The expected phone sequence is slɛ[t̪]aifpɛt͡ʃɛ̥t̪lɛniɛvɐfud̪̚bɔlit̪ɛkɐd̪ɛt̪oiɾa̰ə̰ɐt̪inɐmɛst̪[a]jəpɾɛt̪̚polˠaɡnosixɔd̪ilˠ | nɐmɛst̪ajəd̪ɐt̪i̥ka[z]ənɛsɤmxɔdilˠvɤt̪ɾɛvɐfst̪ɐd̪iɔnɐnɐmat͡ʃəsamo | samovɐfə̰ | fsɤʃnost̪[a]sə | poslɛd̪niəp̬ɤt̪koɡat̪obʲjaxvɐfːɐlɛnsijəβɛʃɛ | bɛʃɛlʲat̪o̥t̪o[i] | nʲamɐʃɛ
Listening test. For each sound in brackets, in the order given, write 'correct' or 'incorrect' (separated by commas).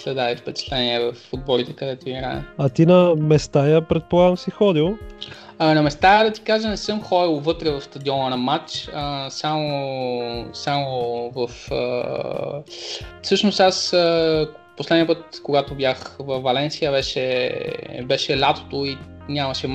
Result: incorrect, correct, incorrect, correct, correct